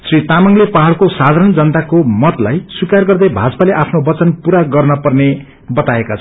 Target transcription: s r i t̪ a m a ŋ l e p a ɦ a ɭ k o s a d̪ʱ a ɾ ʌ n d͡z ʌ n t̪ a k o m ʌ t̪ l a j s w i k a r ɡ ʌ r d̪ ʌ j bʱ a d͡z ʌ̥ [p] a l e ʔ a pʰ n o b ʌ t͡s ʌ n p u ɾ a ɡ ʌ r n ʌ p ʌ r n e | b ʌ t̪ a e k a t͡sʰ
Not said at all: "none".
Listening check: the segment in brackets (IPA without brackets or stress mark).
p